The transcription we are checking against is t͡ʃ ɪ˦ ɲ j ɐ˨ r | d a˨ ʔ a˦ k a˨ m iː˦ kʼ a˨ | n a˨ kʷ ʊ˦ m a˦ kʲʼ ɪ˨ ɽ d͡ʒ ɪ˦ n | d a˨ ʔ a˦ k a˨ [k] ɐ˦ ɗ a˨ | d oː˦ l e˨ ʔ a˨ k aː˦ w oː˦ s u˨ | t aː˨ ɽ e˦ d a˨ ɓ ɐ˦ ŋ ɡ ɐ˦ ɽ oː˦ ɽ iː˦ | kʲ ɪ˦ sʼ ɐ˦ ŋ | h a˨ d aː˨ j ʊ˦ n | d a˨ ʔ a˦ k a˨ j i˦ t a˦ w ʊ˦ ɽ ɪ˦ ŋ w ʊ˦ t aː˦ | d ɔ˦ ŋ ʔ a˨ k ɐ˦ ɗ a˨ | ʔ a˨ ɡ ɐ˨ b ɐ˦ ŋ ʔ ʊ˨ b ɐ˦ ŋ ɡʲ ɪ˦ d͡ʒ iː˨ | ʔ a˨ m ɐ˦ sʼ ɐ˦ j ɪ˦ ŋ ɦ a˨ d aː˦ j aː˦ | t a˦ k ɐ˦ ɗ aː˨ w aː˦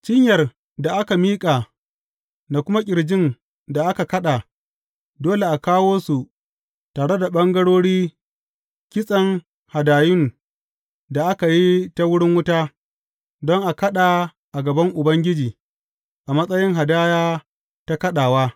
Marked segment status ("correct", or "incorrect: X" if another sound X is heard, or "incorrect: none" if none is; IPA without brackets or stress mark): correct